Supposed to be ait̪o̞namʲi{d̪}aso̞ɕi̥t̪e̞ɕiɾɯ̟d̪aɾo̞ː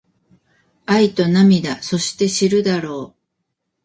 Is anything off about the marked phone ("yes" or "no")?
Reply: no